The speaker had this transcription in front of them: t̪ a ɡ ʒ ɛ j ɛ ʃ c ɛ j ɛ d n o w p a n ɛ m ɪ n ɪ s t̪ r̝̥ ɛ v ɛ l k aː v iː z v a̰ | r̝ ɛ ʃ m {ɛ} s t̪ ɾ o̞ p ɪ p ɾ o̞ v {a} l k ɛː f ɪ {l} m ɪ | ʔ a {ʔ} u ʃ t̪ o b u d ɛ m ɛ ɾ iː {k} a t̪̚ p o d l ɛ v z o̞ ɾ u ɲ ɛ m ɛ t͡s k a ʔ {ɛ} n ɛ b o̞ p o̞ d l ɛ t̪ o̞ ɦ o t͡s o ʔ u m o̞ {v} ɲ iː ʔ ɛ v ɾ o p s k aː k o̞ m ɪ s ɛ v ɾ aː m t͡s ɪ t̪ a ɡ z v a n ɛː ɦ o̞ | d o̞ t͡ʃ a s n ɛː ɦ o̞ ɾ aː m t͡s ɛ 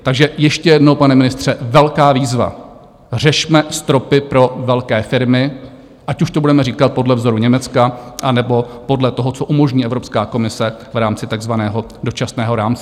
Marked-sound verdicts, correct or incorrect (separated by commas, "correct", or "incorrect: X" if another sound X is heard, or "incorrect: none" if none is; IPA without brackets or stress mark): correct, incorrect: ɛ, incorrect: ɾ, incorrect: c, correct, incorrect: a, incorrect: ʒ